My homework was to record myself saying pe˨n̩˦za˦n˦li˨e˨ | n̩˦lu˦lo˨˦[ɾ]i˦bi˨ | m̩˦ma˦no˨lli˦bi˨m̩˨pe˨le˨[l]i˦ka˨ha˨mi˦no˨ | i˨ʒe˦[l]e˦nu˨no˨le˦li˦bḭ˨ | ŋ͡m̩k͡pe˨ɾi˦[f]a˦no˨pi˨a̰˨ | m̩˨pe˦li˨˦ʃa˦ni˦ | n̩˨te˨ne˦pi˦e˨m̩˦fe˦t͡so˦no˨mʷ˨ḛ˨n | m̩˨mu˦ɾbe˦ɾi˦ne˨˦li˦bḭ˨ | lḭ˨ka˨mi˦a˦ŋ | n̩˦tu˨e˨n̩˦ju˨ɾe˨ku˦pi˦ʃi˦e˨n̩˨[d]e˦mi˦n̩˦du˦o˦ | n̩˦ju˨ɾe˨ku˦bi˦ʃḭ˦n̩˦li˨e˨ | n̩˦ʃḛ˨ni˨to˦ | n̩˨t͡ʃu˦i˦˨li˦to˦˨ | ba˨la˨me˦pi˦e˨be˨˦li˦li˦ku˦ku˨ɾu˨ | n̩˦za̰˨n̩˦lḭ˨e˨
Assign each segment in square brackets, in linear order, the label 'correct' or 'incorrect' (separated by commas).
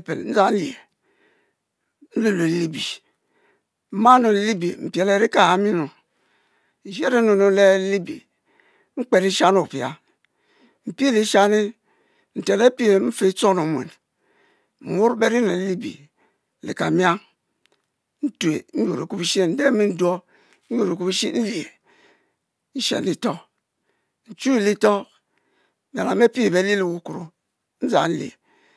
incorrect, incorrect, incorrect, incorrect, correct